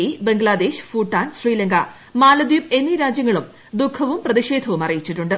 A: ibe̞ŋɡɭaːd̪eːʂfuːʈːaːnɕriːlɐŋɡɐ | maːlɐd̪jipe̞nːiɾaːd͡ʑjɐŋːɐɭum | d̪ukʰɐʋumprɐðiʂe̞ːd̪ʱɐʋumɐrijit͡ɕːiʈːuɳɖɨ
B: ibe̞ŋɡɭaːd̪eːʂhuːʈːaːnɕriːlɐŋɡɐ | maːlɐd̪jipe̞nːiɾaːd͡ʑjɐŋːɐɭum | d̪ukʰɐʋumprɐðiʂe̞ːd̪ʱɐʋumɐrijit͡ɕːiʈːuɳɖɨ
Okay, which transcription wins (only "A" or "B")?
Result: A